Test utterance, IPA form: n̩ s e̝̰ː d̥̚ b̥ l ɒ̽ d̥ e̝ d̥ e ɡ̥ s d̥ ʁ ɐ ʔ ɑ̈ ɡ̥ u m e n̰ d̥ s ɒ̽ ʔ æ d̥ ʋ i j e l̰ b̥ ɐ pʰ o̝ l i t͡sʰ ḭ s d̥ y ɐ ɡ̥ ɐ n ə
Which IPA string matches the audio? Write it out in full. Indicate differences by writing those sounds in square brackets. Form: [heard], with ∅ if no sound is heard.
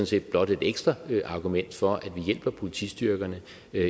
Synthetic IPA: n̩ s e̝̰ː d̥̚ b̥ l ɒ̽ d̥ e̝ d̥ e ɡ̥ s d̥ ʁ ɐ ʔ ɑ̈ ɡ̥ u m e n̰ d̥ [f] ɒ̽ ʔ æ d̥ ʋ i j e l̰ b̥ ɐ pʰ o̝ l i t͡sʰ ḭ s d̥ y ɐ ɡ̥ ɐ n ə